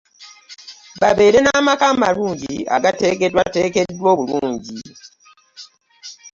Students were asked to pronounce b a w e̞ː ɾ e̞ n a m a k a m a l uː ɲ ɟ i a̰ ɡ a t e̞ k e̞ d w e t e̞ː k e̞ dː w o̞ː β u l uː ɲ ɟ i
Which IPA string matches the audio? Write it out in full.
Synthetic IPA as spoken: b a β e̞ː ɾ e̞ n a m a k a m a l uː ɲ ɟ i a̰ ɡ a t e̞ k e̞ d w a t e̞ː k e̞ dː w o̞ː β u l uː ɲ ɟ i